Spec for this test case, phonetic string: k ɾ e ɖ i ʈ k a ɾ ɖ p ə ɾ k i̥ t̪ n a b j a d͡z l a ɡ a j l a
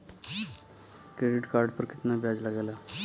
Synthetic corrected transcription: k ɾ e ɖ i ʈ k a ɾ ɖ p ə ɾ k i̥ t̪ n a b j a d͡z l a ɡ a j l a